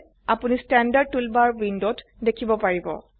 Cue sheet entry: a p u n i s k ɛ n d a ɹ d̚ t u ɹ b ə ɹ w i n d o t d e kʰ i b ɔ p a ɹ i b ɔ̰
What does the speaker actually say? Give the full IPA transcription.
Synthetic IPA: a p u n i s t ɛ n d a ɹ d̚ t u l b a ɹ w i n d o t d e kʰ i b ɔ p a ɹ i b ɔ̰